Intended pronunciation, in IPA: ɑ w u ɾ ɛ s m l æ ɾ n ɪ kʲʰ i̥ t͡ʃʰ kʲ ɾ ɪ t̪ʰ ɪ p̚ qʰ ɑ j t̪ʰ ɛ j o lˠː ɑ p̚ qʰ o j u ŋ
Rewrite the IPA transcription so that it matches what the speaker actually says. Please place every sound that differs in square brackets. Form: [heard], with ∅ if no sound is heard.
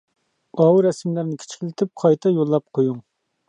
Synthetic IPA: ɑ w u ɾ ɛ s m l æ ɾ n ɪ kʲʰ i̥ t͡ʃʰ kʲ [l] ɪ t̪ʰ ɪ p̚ qʰ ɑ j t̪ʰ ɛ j o lˠː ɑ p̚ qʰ o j u ŋ